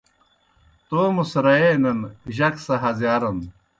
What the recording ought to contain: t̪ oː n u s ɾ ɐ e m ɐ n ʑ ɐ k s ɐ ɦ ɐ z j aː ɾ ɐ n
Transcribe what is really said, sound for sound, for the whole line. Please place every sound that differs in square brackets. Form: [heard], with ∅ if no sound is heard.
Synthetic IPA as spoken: t̪ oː [m] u s ɾ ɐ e [n] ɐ n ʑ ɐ k s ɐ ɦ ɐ z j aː ɾ ɐ n